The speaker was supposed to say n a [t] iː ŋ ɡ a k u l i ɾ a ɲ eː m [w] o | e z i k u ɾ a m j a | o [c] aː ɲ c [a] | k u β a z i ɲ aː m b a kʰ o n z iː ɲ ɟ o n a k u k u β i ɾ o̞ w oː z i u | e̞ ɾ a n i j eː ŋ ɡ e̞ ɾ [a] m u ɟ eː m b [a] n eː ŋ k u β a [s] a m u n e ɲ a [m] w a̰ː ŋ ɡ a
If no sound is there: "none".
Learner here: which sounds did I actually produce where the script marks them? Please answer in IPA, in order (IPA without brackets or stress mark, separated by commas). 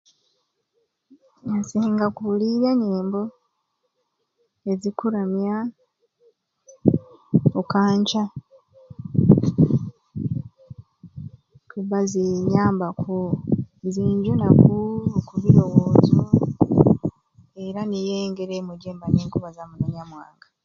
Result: s, b, k, a, e, a, z, m